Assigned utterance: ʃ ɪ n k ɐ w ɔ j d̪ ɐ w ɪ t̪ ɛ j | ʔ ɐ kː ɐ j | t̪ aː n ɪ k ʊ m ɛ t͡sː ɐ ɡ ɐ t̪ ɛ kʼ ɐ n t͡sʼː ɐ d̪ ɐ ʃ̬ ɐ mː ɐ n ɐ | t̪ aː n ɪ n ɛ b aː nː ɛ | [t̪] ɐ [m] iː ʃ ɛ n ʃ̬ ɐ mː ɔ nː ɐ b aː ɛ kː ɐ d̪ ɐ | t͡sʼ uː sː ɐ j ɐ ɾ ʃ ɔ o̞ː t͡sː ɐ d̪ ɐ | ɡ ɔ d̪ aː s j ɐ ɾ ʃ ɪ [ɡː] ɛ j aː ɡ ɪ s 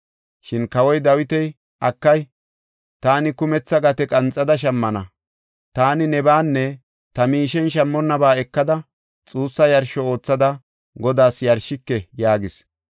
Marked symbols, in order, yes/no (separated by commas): yes, yes, no